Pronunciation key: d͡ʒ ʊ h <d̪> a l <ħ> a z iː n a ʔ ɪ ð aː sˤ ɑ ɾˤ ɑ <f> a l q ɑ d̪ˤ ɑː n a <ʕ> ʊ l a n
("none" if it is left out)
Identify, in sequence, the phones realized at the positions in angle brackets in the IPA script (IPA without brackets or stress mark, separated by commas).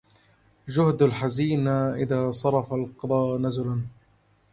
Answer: d̪, ħ, f, z